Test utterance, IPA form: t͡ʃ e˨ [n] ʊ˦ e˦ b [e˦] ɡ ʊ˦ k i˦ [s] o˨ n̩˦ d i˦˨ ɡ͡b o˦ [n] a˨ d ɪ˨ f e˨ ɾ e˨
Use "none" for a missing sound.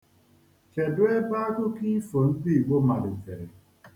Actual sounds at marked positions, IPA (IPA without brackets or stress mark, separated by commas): d, a˦, f, m